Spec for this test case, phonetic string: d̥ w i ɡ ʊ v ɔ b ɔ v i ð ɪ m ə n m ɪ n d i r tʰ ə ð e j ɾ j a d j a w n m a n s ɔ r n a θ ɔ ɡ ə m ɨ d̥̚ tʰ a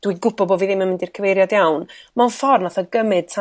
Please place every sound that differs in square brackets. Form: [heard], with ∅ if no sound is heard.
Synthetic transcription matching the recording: d̥ w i ɡ ʊ [b] ɔ b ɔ v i ð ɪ m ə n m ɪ n d i r [kʰ] ə [v] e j ɾ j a d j a w n m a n [f] ɔ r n a θ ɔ ɡ ə m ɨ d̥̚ tʰ a